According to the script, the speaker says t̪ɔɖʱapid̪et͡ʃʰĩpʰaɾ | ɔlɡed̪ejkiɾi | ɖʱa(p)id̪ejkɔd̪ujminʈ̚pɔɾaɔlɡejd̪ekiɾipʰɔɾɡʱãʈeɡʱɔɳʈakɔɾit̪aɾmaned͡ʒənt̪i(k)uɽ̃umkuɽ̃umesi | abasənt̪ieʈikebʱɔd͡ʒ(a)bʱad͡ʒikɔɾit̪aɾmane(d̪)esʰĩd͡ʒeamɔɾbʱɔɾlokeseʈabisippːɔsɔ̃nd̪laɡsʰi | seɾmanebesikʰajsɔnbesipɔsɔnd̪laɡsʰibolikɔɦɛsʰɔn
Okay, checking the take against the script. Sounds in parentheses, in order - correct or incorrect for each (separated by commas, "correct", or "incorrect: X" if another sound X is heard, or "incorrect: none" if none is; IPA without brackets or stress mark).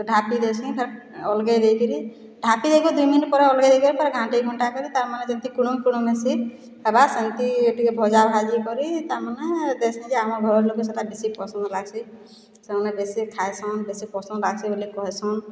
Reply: correct, correct, correct, correct